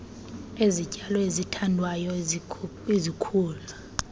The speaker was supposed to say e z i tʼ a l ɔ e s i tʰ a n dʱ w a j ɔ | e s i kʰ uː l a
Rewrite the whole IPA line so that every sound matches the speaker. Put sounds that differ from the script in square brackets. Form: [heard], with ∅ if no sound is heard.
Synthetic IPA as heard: e z i [cʼ] a l ɔ e [z] i tʰ a n dʱ w a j ɔ | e [z] i kʰ uː l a